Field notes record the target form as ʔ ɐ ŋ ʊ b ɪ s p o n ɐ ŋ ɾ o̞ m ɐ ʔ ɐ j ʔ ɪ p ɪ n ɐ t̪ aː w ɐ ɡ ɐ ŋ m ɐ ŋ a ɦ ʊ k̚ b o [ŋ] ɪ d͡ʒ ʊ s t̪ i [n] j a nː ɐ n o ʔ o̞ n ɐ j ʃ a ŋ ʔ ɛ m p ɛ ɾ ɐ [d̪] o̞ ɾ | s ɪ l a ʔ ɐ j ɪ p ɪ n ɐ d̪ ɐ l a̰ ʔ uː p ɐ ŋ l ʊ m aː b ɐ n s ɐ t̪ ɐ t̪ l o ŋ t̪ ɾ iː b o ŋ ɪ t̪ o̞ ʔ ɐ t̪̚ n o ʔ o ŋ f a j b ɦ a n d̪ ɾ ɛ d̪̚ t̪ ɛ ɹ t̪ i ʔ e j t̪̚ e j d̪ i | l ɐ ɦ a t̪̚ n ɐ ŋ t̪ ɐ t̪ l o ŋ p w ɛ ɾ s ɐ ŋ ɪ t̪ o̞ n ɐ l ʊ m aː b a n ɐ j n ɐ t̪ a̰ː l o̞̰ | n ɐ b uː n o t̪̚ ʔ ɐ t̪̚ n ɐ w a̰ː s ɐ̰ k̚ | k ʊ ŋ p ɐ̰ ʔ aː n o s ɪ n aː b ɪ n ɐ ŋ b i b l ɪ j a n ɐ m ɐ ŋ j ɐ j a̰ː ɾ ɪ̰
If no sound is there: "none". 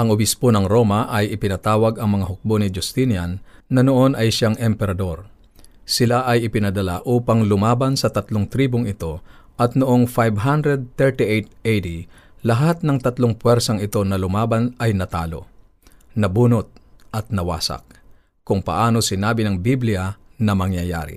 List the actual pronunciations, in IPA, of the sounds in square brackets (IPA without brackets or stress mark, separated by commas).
n, n, d̪